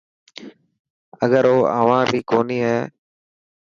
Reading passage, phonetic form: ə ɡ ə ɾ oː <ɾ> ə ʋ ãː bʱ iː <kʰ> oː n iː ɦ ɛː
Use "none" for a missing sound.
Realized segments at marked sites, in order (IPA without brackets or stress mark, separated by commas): none, k